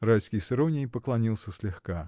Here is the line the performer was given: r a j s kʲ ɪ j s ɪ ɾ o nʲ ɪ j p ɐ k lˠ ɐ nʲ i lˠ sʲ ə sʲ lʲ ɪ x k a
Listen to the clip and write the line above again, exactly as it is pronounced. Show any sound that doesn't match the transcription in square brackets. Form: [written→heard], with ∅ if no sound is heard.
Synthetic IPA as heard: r a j s kʲ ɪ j s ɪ ɾ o nʲ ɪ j p [ɐ→ə] k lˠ ɐ nʲ i lˠ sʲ ə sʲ lʲ ɪ x k a